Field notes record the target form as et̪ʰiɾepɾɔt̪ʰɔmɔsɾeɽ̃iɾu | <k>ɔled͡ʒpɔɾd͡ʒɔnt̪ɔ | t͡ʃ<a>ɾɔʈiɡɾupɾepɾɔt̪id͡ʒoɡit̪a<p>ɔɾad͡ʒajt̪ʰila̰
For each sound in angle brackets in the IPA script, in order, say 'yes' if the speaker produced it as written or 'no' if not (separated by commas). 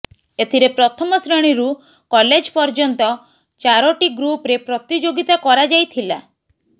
yes, yes, no